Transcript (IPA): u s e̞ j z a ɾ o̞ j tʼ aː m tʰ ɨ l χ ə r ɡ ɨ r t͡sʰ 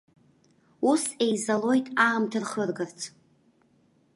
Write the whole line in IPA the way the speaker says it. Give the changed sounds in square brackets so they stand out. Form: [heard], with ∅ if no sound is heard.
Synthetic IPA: u s e̞ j z a [l] o̞ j tʼ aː m tʰ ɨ [r] χ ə r ɡ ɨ r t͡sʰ